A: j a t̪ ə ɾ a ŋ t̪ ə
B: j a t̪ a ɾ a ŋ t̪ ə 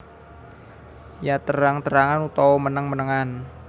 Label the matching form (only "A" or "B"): A